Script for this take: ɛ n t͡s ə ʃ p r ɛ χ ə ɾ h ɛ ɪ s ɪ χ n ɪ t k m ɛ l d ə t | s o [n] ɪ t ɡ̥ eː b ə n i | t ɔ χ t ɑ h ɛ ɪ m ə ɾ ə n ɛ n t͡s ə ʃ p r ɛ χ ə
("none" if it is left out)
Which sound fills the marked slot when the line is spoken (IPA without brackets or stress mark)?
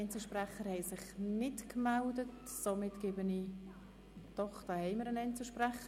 m